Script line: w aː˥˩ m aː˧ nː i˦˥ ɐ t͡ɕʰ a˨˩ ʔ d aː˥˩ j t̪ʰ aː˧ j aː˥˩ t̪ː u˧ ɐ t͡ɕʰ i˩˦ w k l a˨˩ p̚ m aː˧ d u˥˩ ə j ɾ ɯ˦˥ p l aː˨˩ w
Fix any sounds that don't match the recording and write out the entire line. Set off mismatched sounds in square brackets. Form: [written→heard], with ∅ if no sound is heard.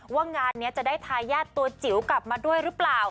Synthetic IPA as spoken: w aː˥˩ [m→ŋ] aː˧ nː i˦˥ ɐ [t͡ɕʰ→t͡ɕ] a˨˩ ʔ d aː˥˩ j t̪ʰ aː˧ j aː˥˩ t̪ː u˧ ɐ [t͡ɕʰ→t͡ɕ] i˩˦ w k l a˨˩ p̚ m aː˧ d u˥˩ ə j ɾ ɯ˦˥ p l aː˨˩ w